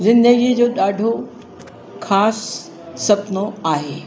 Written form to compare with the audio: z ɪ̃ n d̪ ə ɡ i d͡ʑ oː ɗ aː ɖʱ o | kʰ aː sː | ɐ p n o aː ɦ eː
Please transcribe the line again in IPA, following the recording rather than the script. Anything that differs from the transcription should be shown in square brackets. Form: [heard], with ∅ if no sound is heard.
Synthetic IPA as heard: z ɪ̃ n d̪ ə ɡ i d͡ʑ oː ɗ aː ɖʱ o | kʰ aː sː | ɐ p n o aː ɦ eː